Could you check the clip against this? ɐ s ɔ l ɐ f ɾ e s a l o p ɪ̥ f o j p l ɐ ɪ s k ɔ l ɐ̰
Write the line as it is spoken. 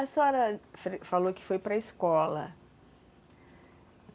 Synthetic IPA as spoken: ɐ s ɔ ɾ ɐ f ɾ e f a l o k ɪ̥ f o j p ɾ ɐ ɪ s k ɔ l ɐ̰